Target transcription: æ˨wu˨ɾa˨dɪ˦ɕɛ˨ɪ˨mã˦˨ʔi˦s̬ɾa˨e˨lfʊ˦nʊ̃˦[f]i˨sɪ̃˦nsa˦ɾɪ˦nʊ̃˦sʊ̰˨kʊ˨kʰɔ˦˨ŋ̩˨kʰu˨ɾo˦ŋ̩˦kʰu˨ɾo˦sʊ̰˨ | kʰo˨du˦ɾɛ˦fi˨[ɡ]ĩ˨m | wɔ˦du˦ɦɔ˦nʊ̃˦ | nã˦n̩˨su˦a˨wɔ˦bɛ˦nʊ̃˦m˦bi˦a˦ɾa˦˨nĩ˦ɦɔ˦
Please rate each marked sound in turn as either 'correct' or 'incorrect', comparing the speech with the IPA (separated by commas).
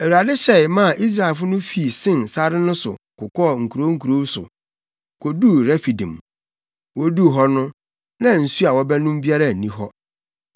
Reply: correct, incorrect